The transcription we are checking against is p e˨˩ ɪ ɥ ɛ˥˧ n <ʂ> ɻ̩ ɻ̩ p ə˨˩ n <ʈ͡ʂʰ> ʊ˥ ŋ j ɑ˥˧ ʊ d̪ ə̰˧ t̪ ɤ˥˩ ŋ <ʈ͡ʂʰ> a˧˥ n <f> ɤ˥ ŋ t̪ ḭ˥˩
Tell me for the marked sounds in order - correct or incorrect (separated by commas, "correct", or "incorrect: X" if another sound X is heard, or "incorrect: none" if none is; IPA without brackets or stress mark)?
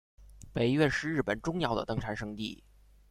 correct, incorrect: ʈ͡ʂ, correct, incorrect: ʂ